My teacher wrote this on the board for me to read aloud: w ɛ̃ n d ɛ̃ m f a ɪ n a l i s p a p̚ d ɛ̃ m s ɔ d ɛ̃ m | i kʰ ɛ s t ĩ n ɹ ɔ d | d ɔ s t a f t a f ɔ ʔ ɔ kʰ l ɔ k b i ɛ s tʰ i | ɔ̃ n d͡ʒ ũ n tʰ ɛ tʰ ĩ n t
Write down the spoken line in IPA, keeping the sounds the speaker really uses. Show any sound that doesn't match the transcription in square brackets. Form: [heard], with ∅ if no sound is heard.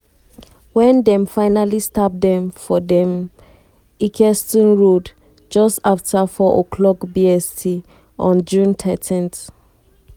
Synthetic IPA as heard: w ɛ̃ n d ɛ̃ m f a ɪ n a l i s [t] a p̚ d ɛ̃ m [f] ɔ d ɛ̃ m | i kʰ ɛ s t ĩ n ɹ [o] d | [d͡ʒ] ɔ s t a f t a f ɔ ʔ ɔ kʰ l ɔ k b i ɛ s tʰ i | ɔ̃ n d͡ʒ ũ n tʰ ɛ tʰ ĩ n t